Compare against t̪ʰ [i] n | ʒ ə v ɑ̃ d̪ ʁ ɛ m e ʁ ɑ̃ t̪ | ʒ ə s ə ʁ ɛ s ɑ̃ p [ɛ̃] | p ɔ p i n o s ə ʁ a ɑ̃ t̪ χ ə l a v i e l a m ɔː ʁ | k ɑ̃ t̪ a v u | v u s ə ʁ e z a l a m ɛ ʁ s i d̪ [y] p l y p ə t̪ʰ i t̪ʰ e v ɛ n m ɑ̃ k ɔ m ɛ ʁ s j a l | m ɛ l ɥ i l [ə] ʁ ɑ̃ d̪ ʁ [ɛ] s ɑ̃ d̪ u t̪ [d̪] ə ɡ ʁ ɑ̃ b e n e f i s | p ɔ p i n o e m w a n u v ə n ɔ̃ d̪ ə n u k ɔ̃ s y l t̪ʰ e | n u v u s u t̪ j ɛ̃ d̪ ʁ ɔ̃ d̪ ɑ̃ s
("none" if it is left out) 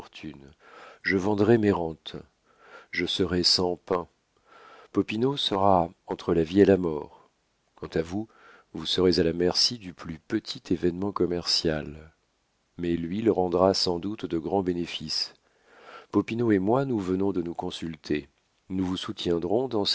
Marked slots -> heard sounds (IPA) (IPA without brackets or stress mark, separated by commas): y, ɛ̃, y, ə, a, d̪